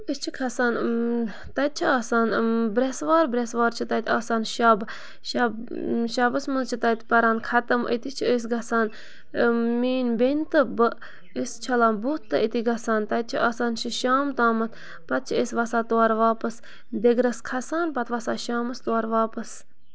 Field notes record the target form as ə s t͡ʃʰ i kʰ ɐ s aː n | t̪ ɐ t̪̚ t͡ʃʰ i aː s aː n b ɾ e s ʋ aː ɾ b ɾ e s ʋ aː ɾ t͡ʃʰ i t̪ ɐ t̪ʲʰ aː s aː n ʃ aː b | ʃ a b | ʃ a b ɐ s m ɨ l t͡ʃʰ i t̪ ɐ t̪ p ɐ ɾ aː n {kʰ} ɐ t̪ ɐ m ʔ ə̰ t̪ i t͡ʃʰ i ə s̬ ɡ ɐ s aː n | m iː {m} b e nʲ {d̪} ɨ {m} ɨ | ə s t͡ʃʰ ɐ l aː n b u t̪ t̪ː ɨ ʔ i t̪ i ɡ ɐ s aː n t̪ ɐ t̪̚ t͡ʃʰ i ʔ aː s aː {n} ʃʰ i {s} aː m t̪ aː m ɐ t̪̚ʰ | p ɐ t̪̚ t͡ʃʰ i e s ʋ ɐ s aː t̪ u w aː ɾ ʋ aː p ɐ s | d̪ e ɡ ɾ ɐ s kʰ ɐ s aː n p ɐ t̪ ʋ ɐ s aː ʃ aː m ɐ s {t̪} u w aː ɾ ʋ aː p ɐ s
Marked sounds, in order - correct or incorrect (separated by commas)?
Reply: correct, incorrect, incorrect, incorrect, correct, incorrect, correct